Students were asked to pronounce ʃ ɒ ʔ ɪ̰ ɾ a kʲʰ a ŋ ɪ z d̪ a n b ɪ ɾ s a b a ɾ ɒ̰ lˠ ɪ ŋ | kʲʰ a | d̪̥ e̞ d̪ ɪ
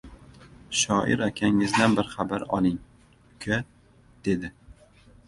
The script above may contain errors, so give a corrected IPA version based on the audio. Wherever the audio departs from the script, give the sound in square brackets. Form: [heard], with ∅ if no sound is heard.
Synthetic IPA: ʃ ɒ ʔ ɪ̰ ɾ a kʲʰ a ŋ ɪ z d̪ a n b ɪ ɾ [χ] a b a ɾ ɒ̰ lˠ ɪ ŋ | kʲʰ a | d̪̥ e̞ d̪ ɪ